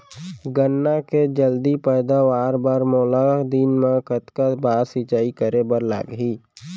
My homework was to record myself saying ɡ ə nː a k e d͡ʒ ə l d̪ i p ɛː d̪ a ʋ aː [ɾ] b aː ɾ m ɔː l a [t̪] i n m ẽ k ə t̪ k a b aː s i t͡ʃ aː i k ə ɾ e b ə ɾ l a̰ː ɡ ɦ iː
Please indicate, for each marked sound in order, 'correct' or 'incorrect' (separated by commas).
correct, incorrect